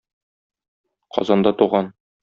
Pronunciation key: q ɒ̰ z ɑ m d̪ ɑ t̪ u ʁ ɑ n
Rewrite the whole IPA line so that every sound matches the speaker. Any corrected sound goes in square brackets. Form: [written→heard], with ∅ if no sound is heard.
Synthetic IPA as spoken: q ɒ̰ z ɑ [m→n] d̪ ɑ t̪ u ʁ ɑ n